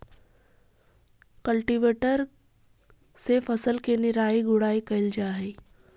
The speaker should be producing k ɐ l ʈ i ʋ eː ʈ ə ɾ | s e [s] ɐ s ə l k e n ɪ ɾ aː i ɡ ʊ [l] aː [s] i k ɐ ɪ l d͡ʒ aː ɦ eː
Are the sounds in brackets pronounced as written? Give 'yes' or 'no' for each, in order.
no, no, no

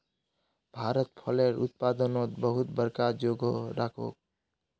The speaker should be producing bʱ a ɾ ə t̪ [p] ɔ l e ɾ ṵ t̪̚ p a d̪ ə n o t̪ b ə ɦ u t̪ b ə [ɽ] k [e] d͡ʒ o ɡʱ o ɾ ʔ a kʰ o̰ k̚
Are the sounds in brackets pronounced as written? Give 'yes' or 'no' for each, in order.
no, no, no

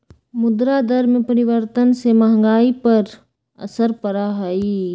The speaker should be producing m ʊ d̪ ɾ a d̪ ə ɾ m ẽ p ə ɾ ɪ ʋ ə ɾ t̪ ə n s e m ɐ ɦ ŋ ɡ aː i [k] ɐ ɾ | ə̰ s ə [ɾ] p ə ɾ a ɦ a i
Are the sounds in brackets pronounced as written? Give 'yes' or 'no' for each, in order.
no, yes

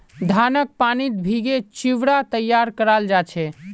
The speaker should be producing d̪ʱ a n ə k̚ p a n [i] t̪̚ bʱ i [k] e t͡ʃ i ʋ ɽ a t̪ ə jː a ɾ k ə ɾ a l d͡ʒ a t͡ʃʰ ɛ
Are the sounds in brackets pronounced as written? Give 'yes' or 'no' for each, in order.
yes, no

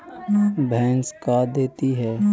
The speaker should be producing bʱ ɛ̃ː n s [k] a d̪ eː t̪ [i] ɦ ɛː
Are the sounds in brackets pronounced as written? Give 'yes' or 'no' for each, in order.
yes, yes

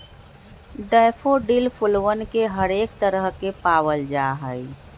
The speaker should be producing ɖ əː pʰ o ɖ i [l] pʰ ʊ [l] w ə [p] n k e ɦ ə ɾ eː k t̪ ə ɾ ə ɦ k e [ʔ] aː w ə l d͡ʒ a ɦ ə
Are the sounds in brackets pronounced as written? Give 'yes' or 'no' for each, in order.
yes, yes, no, no

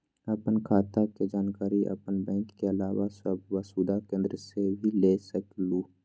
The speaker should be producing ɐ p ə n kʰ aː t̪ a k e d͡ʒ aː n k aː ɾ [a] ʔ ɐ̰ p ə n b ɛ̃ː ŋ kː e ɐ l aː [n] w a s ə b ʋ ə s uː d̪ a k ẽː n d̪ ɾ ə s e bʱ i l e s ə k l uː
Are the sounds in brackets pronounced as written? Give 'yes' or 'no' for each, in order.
no, no

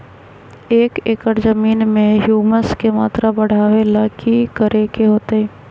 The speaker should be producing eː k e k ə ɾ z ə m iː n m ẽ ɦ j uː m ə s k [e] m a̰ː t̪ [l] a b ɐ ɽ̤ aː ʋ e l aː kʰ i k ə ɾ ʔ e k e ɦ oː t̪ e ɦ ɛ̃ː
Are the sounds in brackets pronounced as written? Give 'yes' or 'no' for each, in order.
yes, no

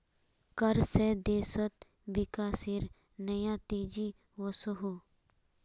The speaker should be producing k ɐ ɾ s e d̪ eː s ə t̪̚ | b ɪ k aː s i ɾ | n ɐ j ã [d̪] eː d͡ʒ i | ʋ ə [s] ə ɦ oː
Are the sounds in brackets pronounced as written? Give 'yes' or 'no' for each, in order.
no, yes

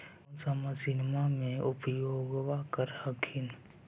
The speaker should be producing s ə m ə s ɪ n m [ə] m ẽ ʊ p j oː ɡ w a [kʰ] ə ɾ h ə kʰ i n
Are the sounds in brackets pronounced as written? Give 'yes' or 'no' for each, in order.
no, no

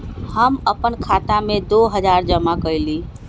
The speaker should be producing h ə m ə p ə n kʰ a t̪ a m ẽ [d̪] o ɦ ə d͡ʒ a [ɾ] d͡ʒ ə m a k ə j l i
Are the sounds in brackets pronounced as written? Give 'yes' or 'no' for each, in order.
yes, yes

